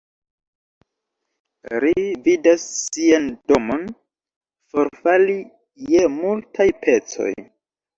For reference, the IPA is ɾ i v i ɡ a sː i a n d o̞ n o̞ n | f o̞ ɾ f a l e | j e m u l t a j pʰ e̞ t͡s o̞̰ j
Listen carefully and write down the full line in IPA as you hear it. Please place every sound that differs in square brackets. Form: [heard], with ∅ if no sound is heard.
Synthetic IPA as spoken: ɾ i v i [d] a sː i a n d o̞ [m] o̞ n | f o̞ ɾ f a l [i] | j e m u l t a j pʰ e̞ t͡s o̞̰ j